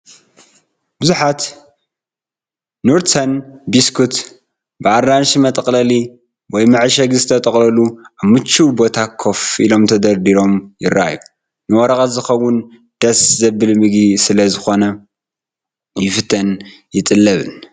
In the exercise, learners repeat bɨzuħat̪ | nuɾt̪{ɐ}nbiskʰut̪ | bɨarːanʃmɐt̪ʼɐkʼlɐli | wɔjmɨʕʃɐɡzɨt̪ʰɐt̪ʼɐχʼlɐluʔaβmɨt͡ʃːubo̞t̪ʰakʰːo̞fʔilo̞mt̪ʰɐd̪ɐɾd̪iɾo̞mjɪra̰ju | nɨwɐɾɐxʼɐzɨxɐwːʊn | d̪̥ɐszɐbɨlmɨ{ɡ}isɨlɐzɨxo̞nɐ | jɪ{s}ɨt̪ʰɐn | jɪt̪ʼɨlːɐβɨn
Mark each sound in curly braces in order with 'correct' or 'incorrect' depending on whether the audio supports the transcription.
correct, correct, incorrect: f

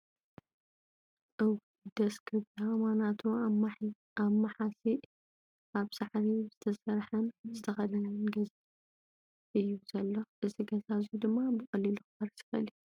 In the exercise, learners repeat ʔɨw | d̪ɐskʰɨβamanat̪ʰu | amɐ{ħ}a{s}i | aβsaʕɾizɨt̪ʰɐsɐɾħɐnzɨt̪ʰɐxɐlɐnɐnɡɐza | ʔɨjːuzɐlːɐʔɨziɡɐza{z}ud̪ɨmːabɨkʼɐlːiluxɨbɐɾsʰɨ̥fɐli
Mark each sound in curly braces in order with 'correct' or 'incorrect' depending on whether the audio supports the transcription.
correct, correct, correct

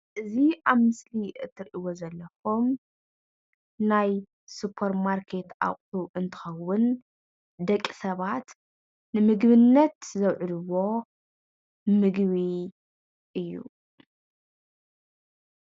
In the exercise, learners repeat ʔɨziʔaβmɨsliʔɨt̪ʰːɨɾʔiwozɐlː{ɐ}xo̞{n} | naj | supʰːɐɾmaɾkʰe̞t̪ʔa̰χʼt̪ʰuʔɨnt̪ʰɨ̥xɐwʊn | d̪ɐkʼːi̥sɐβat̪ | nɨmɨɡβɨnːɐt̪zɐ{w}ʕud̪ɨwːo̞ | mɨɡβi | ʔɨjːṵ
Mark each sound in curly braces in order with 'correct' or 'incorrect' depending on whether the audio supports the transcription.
correct, incorrect: m, correct

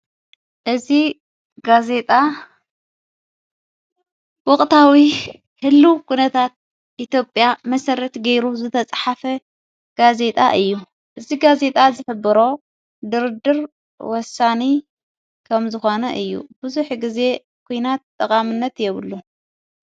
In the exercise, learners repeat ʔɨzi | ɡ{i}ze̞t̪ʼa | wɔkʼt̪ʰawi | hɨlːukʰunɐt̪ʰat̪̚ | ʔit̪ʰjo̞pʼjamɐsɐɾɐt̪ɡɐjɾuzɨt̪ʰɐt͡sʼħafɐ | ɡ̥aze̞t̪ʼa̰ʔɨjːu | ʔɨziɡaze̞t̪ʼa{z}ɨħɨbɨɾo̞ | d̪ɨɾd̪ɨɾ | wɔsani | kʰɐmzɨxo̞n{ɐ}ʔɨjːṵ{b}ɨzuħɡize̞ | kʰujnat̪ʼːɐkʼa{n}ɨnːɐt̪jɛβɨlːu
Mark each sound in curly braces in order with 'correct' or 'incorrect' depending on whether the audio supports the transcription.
incorrect: a, correct, correct, correct, incorrect: m

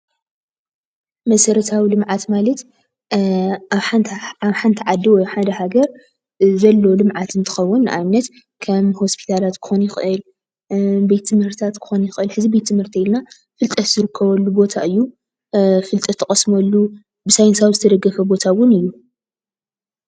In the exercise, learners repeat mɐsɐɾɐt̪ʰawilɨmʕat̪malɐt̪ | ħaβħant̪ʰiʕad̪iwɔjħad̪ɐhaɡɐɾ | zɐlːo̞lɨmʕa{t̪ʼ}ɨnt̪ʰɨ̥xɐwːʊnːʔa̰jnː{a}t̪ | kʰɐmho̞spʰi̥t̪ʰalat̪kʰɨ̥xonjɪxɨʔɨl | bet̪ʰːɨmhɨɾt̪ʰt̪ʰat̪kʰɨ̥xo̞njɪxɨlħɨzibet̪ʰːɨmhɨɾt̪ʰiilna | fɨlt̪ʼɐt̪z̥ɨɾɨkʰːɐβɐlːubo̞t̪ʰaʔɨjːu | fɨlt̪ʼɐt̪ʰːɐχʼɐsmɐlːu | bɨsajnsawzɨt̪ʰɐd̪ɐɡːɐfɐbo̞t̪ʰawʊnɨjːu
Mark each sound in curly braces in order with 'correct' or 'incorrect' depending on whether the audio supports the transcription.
incorrect: t̪, incorrect: ɐ

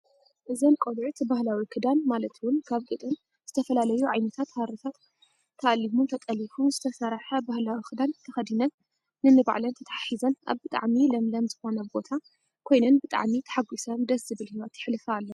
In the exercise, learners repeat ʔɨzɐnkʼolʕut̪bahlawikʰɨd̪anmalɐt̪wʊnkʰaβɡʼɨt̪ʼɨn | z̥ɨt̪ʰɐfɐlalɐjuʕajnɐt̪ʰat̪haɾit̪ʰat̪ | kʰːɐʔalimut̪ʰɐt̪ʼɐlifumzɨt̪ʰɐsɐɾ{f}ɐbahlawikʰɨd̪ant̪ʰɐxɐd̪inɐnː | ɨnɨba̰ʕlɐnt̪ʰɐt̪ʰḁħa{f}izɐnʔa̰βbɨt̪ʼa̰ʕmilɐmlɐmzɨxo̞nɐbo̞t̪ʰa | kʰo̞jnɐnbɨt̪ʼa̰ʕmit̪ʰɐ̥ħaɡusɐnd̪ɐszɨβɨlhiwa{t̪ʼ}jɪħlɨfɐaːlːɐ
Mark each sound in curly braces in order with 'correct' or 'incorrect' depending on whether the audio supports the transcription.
incorrect: ħ, incorrect: ħ, incorrect: t̪

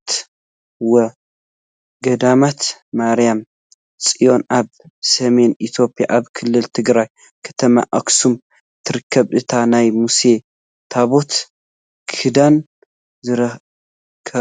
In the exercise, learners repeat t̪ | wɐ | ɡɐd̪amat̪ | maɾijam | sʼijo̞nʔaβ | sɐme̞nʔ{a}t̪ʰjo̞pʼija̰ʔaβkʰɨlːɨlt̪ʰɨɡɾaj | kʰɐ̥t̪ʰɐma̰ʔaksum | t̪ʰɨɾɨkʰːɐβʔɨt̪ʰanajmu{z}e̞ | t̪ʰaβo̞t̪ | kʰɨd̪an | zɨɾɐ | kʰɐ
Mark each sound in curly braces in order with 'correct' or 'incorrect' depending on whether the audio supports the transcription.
incorrect: i, incorrect: s

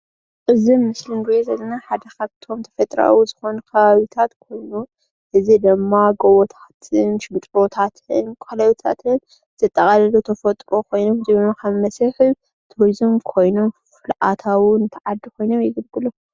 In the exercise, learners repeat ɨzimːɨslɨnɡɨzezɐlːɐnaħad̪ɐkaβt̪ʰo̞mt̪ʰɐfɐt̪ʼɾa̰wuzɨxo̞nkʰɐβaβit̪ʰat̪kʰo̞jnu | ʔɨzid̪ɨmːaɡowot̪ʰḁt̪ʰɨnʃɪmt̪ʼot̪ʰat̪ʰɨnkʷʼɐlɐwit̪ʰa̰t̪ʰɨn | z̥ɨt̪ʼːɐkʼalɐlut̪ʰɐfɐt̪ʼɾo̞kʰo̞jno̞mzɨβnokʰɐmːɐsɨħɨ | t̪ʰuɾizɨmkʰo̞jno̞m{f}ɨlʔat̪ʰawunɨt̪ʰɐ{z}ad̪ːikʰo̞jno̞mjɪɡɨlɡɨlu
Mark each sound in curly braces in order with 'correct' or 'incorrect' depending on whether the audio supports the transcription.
correct, incorrect: ʕ

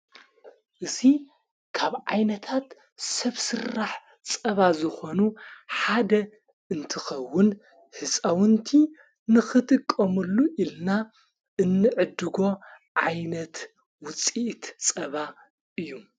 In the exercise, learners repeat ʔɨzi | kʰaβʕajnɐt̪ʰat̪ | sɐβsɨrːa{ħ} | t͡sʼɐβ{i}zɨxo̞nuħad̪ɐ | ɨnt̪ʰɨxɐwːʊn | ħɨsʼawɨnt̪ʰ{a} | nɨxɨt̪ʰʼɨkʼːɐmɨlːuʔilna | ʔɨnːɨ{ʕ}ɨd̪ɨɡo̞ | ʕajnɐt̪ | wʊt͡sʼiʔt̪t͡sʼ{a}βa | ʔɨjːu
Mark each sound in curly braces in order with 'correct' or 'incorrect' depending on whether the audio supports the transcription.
correct, incorrect: a, incorrect: i, correct, incorrect: ɐ

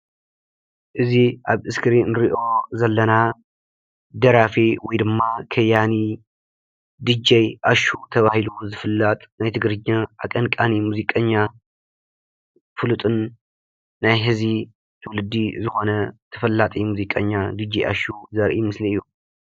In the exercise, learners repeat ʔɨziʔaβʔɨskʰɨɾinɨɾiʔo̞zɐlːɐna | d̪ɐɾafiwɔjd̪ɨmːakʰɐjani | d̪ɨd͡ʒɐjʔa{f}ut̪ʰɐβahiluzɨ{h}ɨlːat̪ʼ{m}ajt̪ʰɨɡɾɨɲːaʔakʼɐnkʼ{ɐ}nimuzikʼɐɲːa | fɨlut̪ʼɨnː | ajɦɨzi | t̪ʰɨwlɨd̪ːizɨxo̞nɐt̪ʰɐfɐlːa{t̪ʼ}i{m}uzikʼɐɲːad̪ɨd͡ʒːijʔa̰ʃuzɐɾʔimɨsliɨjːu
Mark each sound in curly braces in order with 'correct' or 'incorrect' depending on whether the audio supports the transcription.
incorrect: ʃ, incorrect: f, incorrect: n, incorrect: a, correct, correct

